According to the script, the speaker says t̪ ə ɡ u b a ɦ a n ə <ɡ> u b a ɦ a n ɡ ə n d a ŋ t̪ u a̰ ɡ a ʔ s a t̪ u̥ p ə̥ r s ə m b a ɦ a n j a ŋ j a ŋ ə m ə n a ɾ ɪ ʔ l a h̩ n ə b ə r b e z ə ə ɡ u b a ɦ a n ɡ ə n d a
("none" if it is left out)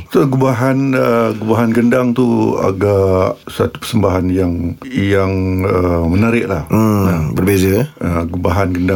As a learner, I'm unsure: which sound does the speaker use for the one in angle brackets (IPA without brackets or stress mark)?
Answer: ɡ